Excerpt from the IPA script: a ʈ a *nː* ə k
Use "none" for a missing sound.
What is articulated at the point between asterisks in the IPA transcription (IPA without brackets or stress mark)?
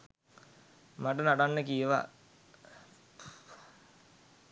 nː